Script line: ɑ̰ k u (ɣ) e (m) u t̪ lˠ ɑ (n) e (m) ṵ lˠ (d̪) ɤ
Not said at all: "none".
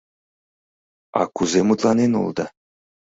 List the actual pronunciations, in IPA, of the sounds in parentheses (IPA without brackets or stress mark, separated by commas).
z, m, n, n, d̪